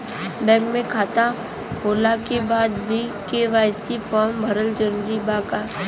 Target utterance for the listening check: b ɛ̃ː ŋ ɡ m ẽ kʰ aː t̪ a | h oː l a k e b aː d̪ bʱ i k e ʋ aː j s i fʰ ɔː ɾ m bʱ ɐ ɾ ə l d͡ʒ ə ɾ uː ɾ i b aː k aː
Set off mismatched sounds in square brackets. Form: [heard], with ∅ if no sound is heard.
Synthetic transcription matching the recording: b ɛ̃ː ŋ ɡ m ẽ kʰ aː t̪ a | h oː l a k e b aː d̪ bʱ i k e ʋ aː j s i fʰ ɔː ɾ m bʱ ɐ ɾ ə l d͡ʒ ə ɾ uː ɾ i b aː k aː